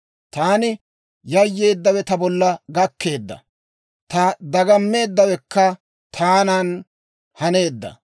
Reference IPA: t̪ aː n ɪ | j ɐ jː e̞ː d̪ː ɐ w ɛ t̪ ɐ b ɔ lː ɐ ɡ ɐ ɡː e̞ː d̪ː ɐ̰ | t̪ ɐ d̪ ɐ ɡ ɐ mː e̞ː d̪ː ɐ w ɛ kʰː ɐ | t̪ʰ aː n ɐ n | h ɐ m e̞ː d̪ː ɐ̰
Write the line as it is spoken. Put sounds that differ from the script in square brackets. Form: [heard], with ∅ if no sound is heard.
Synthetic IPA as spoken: t̪ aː n ɪ | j ɐ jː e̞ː d̪ː ɐ w ɛ t̪ ɐ b ɔ lː ɐ ɡ ɐ [kː] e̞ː d̪ː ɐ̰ | t̪ ɐ d̪ ɐ ɡ ɐ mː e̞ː d̪ː ɐ w ɛ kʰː ɐ | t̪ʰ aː n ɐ n | h ɐ [n] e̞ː d̪ː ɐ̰